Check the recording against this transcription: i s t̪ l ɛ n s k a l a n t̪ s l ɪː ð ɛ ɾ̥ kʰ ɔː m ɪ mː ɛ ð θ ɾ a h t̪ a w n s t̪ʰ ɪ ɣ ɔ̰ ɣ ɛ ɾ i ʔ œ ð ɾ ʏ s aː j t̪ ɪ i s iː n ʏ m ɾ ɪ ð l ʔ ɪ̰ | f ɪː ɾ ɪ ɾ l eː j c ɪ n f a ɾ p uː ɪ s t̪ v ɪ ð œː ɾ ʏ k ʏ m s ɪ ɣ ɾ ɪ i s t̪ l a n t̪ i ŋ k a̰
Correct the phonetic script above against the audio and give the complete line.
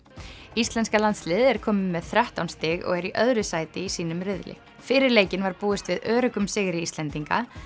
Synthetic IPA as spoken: i s t̪ l ɛ n s k a l a n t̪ s l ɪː ð ɛ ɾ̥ kʰ ɔː m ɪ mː ɛ ð θ ɾ a h t̪ a w n s t̪ ɪ ɣ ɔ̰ ɣ ɛ ɾ i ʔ œ ð ɾ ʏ s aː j t̪ ɪ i s iː n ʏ m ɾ ɪ ð l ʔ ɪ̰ | f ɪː ɾ ɪ ɾ l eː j c ɪ n v a ɾ p uː ɪ s t̪ v ɪ ð œː ɾ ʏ k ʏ m s ɪ ɣ ɾ ɪ i s t̪ l ɛ n t̪ i ŋ k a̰